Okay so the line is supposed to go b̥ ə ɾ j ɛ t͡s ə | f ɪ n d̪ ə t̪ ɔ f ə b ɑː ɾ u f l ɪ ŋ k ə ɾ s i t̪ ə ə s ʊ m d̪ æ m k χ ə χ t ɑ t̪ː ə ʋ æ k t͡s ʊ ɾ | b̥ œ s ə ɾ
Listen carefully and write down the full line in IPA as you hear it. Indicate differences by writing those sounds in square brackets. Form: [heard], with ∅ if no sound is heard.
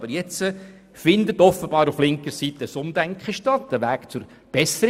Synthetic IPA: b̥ ə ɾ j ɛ t͡s ə | f ɪ n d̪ ə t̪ ɔ f ə b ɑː ɾ u f l ɪ ŋ k ə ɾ s i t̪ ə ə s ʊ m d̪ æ [ŋ] k χ ə [ʃ] t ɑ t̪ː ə ʋ [æː] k t͡s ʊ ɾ | b̥ [ɛ] s ə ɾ